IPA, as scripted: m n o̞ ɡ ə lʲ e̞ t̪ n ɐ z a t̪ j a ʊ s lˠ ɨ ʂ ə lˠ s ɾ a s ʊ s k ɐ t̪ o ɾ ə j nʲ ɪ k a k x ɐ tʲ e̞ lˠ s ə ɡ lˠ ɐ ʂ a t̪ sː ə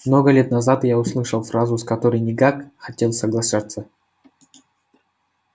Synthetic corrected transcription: m n o̞ ɡ ə lʲ e̞ t̪ n ɐ z a t̪ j a ʊ s lˠ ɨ ʂ ə lˠ f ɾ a z ʊ s k ɐ t̪ o ɾ ə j nʲ ɪ k a k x ɐ tʲ e̞ lˠ s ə ɡ lˠ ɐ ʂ a t̪ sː ə